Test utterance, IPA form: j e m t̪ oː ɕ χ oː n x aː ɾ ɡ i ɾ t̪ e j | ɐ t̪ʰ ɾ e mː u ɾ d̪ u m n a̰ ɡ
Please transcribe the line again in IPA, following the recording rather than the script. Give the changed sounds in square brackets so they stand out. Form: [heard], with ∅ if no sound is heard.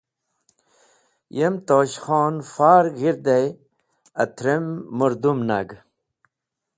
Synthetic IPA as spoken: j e m t̪ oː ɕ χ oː n [f] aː ɾ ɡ i ɾ [d̪] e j | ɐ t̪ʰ ɾ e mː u ɾ d̪ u m n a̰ ɡ